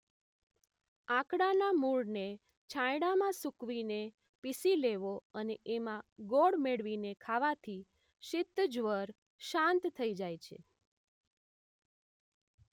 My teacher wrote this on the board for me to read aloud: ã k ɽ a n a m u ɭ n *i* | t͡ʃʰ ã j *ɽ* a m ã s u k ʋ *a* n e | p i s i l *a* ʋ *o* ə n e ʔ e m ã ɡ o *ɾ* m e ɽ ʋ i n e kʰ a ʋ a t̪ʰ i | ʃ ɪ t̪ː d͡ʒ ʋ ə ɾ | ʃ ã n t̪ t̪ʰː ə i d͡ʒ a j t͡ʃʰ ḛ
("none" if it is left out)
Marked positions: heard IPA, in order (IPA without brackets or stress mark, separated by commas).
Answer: e, ɽ, i, e, o, ɽ